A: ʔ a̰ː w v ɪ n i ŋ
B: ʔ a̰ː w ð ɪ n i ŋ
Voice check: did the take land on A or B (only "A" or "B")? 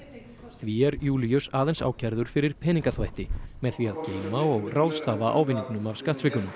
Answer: A